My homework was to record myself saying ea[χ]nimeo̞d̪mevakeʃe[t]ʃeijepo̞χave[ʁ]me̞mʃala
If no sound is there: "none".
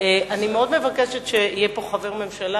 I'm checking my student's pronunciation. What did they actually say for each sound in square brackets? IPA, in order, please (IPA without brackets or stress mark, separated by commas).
none, t, ʁ